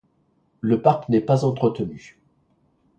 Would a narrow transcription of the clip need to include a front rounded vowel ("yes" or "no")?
yes